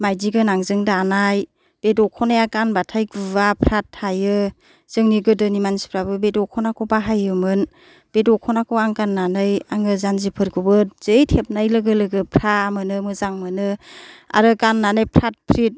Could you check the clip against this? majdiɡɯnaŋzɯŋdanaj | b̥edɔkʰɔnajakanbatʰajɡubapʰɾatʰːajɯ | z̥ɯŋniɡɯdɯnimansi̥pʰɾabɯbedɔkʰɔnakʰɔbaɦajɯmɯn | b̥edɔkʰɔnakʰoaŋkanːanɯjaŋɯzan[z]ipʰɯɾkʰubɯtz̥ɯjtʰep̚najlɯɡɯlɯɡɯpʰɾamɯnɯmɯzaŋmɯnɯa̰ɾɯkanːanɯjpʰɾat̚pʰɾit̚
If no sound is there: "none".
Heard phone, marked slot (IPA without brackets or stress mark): z